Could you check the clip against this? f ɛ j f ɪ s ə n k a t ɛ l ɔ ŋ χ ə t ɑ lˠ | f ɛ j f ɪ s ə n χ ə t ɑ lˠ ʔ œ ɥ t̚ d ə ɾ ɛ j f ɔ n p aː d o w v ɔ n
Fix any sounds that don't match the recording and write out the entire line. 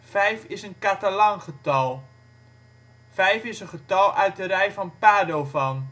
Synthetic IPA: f ɛ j f ɪ s ə n k a t a l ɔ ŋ χ ə t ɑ lˠ | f ɛ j f ɪ s ə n χ ə t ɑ lˠ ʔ œ ɥ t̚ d ə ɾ ɛ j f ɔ n p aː d o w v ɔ n